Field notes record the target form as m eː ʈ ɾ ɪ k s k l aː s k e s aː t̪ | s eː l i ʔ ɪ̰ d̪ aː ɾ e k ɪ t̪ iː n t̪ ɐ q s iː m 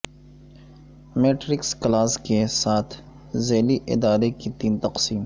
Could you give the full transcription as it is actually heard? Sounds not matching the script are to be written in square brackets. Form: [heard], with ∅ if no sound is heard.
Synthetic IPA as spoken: m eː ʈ ɾ ɪ k s k l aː s k e s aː [t̪ʰ] | [z] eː l i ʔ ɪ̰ d̪ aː ɾ e k [i] t̪ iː n t̪ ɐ q s iː m